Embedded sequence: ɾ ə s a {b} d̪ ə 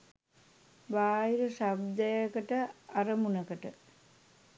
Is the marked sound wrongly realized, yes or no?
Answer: no